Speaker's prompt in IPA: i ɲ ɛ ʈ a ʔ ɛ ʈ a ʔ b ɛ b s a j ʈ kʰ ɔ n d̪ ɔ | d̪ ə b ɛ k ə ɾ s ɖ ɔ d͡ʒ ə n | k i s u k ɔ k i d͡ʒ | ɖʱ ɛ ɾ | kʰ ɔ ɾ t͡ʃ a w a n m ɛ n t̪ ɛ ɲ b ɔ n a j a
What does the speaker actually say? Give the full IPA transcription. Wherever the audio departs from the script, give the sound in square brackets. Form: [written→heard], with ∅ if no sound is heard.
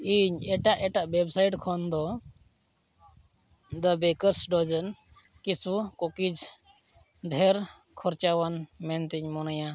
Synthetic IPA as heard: i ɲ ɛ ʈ a ʔ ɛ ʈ a ʔ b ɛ b s a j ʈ kʰ ɔ n d̪ ɔ | d̪ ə b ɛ k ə ɾ s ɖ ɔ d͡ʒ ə n | k i s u k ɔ k i d͡ʒ | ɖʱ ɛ ɾ | kʰ ɔ ɾ t͡ʃ a w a n m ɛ n t̪ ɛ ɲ [b→m] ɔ n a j a